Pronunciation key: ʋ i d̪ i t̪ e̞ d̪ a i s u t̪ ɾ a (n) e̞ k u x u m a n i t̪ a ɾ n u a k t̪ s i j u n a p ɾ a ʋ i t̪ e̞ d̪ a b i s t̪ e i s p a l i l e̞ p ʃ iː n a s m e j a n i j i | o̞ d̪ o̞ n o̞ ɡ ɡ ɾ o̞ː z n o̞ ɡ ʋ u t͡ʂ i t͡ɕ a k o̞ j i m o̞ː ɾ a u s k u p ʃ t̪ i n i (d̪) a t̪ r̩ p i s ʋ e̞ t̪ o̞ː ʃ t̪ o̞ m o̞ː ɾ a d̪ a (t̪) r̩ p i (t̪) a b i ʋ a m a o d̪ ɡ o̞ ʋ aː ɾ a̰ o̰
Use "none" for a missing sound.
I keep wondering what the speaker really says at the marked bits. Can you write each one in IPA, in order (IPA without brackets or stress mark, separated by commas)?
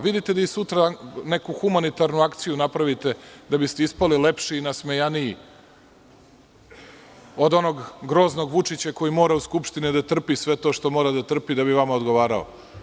n, d̪, t̪, d̪